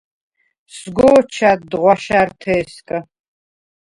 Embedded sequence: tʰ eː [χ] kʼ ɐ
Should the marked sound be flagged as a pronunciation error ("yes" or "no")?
yes